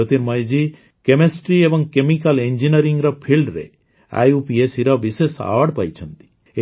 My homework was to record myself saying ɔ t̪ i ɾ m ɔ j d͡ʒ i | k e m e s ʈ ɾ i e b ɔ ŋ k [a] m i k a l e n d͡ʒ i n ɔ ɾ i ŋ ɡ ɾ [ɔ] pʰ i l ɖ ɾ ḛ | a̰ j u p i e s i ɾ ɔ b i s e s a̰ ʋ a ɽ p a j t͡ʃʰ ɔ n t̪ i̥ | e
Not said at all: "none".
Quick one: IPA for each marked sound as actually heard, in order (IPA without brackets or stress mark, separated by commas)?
e, ɔ